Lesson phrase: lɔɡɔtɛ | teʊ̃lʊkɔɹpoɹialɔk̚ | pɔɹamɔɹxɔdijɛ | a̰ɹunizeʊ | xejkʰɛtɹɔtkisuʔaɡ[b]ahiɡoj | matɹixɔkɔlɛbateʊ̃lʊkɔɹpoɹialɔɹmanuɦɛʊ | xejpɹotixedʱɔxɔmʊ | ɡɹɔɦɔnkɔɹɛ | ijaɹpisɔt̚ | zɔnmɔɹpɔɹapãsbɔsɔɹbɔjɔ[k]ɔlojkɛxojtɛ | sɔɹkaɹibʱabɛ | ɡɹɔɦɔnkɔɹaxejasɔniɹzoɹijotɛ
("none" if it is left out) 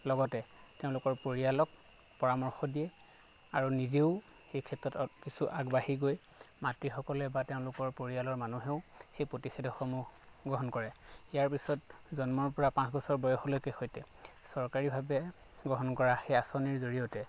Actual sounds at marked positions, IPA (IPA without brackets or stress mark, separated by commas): b, x